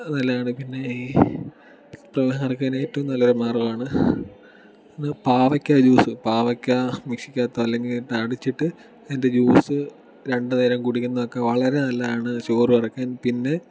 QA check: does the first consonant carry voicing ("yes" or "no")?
yes